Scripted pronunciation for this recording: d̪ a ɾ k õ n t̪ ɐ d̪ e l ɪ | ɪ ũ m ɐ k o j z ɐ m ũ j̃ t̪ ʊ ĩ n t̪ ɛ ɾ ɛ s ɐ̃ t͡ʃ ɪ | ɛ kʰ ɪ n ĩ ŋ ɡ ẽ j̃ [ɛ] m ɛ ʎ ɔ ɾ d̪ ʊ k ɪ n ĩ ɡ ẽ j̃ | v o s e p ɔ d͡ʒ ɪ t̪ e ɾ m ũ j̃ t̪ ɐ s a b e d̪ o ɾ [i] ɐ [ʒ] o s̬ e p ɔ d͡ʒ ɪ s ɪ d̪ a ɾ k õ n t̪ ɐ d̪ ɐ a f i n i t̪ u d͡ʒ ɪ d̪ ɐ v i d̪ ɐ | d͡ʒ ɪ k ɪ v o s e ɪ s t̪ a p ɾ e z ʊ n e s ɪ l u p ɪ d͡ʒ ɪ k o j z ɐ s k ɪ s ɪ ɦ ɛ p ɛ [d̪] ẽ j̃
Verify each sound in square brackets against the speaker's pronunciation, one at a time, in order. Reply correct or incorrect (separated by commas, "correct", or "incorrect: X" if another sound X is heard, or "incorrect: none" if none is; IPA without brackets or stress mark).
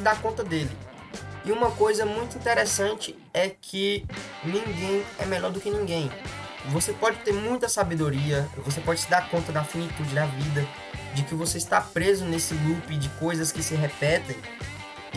correct, correct, incorrect: v, incorrect: t̪